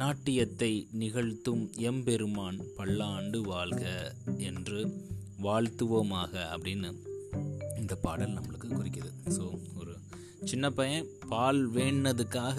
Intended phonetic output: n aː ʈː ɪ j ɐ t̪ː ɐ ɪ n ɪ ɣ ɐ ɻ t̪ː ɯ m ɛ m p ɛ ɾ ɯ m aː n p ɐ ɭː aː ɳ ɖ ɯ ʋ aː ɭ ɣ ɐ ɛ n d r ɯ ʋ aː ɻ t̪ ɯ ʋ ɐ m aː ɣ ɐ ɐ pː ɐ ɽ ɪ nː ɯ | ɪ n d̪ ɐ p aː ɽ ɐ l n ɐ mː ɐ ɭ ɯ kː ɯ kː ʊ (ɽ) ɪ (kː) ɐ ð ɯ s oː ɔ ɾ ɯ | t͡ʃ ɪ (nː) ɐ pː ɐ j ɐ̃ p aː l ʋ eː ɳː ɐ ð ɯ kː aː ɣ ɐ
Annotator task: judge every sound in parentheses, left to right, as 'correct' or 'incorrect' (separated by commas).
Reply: incorrect, correct, correct